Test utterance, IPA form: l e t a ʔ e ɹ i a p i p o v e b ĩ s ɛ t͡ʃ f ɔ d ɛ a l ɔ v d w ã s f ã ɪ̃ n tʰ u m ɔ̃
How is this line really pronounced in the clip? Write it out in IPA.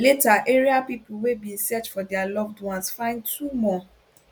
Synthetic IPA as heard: l e t a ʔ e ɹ i a p i p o w e b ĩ s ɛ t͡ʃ f ɔ d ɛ a l ɔ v d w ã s f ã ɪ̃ n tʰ u m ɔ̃